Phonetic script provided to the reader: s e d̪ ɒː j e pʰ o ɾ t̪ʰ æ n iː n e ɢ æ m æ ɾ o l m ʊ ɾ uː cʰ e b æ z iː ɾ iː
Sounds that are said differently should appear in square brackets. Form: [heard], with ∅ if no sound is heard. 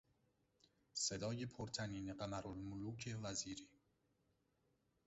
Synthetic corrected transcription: s e d̪ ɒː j e pʰ o ɾ t̪ʰ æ n iː n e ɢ æ m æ ɾ o l m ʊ [l] uː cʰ e [v] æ z iː ɾ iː